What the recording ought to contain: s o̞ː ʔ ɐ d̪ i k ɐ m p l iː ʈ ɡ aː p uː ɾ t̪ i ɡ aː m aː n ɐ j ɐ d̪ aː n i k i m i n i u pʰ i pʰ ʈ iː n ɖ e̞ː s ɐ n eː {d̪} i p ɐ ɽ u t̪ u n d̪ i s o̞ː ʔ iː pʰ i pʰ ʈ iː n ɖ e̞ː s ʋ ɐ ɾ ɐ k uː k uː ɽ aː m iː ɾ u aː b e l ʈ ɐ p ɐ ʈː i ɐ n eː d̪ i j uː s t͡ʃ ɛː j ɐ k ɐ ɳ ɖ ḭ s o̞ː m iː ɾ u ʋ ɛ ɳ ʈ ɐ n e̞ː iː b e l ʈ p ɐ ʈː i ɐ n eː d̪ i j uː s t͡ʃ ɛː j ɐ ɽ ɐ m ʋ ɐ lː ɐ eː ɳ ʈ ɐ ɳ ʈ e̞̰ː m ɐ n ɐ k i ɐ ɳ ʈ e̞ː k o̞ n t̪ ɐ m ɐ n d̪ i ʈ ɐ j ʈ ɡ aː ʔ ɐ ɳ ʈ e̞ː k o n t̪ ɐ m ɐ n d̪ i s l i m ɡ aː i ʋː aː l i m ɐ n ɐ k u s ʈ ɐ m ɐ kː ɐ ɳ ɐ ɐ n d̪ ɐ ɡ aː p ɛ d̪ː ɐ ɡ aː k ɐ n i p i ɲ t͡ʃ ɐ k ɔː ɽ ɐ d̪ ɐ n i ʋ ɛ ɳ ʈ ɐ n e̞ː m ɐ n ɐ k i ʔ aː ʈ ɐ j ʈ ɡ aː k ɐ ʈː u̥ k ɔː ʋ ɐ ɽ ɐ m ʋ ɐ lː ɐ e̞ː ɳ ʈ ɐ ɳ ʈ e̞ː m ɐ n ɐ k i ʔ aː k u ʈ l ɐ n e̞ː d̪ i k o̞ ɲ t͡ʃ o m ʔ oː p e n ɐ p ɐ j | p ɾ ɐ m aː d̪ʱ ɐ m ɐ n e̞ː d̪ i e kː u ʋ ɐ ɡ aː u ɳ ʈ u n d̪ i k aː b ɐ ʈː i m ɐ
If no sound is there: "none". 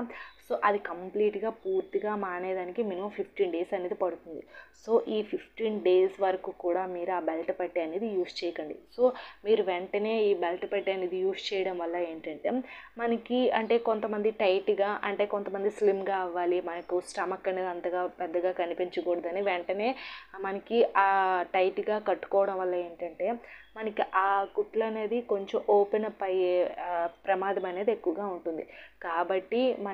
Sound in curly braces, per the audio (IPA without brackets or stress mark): d̪